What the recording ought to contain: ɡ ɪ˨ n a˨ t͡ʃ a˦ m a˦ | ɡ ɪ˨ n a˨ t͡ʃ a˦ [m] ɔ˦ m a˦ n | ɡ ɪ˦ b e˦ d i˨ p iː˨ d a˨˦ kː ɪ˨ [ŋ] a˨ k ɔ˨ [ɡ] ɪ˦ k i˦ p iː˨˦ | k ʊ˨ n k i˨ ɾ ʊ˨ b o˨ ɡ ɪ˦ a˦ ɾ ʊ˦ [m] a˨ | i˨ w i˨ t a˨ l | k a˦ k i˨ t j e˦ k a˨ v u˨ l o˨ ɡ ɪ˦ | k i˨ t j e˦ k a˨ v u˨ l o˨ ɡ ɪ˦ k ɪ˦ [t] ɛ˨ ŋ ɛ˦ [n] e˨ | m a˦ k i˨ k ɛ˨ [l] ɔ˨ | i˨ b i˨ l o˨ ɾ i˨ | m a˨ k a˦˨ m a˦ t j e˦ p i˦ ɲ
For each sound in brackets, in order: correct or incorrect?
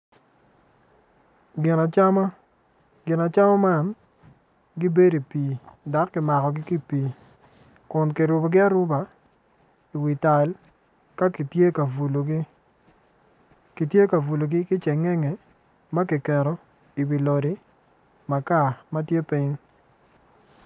correct, incorrect: m, correct, incorrect: b, incorrect: t͡ʃ, incorrect: ŋ, incorrect: ɾ

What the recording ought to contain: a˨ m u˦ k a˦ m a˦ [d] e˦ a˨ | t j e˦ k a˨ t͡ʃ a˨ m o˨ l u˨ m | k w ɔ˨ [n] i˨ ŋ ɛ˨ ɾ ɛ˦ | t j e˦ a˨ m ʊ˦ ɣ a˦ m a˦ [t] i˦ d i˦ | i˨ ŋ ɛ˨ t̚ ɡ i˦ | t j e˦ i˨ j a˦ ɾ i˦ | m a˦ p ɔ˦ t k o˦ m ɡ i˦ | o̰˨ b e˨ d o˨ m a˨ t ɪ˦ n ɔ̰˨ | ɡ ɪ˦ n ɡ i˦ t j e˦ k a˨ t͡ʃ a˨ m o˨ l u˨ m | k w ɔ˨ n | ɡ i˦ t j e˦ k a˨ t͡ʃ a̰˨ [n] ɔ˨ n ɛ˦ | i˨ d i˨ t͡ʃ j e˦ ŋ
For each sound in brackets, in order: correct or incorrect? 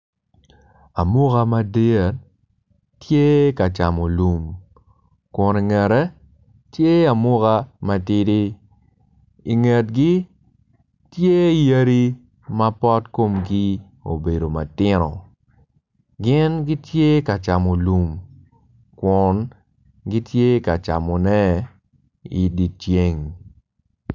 correct, correct, correct, incorrect: m

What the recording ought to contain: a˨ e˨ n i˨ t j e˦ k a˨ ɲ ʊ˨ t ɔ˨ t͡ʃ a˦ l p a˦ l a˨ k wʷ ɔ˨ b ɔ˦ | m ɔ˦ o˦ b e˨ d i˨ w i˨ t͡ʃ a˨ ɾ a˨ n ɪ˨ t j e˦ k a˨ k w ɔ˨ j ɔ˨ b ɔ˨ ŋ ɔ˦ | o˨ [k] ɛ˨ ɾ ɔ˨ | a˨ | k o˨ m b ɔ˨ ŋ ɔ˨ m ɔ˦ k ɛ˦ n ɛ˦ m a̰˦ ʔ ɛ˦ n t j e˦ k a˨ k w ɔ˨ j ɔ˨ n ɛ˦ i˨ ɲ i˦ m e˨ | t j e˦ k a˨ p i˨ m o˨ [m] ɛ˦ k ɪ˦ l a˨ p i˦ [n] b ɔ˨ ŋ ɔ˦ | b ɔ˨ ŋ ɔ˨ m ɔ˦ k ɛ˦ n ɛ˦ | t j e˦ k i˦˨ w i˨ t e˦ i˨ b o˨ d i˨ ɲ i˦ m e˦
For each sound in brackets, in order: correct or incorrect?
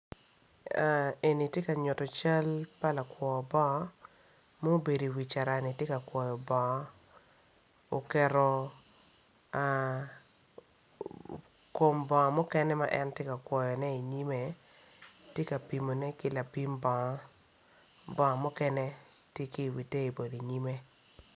correct, incorrect: n, incorrect: m

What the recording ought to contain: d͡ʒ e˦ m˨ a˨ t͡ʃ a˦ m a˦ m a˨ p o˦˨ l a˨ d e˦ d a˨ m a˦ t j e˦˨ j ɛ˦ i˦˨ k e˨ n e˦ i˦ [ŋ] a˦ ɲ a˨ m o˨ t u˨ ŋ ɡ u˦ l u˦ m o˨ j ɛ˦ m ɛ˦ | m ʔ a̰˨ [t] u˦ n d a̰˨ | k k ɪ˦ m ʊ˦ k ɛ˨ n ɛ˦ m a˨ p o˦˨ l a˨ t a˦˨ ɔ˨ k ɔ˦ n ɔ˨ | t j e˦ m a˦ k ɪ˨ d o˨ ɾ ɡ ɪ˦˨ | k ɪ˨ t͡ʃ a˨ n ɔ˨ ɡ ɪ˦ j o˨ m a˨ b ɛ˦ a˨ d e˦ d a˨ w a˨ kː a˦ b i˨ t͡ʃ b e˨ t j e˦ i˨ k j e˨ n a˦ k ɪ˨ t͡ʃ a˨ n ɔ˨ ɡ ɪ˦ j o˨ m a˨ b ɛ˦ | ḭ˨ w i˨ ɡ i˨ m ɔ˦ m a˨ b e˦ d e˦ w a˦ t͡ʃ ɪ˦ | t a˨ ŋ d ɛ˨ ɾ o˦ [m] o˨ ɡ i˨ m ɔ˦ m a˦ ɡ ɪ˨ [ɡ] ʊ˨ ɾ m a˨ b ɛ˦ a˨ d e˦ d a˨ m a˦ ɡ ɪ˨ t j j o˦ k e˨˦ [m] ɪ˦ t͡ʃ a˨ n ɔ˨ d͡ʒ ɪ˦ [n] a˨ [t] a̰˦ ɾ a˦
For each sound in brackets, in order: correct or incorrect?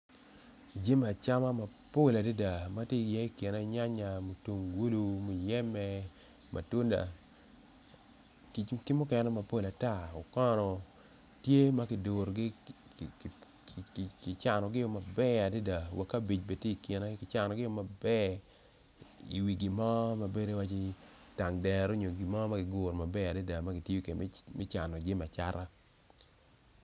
incorrect: ɲ, correct, incorrect: ɲ, correct, correct, incorrect: m, incorrect: t͡ʃ

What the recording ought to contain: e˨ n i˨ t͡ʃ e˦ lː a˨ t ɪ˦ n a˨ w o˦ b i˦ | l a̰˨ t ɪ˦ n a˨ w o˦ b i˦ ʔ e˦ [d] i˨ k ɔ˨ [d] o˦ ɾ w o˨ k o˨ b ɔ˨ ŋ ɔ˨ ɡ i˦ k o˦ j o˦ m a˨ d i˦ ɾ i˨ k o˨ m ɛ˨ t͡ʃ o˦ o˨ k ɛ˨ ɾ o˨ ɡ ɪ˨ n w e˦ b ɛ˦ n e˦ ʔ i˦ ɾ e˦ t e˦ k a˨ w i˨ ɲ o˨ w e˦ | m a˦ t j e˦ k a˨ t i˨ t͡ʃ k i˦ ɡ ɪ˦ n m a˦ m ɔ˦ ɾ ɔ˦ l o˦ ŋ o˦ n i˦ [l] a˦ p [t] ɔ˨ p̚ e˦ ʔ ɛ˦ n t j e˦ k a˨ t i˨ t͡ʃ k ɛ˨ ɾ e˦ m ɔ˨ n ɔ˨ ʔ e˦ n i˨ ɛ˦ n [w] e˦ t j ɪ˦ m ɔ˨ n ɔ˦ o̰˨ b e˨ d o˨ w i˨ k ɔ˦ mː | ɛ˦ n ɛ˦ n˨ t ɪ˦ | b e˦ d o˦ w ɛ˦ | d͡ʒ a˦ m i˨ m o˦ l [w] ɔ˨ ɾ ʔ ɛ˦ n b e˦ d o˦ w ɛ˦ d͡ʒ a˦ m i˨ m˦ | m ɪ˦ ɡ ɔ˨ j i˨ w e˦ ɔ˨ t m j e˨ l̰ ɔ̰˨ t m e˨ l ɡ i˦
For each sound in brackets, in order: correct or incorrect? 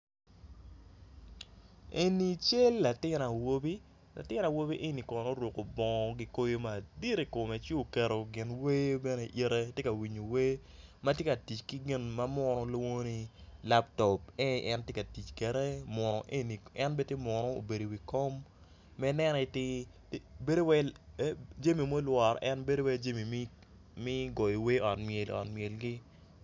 incorrect: n, incorrect: n, correct, correct, incorrect: b, correct

